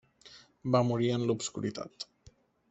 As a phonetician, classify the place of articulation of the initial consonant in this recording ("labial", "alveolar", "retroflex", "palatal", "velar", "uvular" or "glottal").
labial